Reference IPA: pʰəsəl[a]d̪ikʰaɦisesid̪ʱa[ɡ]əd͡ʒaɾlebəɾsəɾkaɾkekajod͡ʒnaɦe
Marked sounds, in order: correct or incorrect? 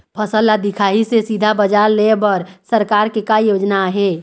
correct, incorrect

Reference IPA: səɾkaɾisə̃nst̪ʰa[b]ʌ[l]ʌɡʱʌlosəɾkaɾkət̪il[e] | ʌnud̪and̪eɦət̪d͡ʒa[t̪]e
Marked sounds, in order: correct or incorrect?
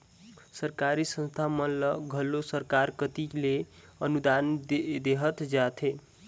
incorrect, correct, correct, incorrect

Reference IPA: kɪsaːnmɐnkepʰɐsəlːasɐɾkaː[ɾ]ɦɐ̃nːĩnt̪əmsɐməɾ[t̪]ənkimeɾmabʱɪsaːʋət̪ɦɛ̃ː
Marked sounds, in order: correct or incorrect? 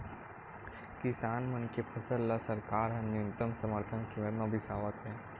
correct, incorrect

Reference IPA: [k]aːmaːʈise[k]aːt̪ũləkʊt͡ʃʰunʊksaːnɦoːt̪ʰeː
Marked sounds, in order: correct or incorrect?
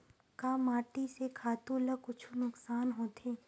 correct, incorrect

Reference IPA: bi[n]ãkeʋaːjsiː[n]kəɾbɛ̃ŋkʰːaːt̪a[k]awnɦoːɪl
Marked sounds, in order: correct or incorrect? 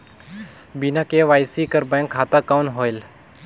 correct, incorrect, correct

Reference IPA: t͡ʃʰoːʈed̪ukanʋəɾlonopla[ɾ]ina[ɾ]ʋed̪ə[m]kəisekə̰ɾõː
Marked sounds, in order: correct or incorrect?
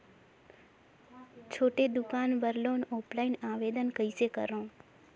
incorrect, incorrect, incorrect

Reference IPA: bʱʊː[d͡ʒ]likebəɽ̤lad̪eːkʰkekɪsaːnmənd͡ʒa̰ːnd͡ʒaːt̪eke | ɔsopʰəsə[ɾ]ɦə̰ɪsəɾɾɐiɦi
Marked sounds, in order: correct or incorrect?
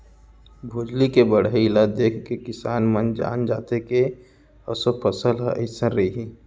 correct, incorrect

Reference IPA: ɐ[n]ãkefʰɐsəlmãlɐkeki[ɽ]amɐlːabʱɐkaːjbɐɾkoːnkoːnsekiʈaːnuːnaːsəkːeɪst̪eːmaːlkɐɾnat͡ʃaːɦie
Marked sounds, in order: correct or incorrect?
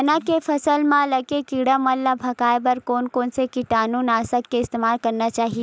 correct, correct

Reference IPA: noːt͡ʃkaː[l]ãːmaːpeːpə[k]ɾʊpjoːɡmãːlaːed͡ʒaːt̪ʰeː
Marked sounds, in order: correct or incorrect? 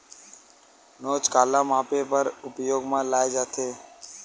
correct, incorrect

